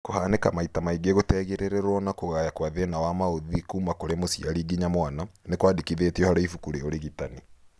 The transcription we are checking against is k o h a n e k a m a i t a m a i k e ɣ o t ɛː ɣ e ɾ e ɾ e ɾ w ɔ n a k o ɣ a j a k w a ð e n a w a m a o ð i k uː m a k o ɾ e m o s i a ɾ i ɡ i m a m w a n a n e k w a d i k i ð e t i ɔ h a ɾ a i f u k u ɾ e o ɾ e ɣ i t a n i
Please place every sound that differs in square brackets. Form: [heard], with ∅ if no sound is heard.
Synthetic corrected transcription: k o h a n e k a m a i t a m a i [ɡ] e ɣ o t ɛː ɣ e ɾ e ɾ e ɾ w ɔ n a k o ɣ a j a k w a ð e n a w a m a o ð i k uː m a k o ɾ e m o s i a ɾ i ɡ i [ɲ] a m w a n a n e k w a d i k i ð e t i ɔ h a ɾ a i f u k u ɾ e o ɾ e ɣ i t a n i